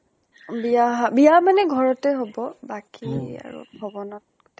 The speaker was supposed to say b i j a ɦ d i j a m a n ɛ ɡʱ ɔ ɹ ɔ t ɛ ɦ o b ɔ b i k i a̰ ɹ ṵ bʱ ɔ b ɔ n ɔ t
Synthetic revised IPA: b i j a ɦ b i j a m a n ɛ ɡʱ ɔ ɹ ɔ t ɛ ɦ o b ɔ b a k i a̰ ɹ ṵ bʱ ɔ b ɔ n ɔ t